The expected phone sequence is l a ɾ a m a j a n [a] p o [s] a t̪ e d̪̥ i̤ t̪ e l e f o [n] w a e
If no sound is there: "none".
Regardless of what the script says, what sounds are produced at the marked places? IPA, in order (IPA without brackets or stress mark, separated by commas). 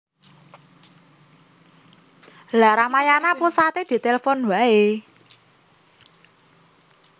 a, s, n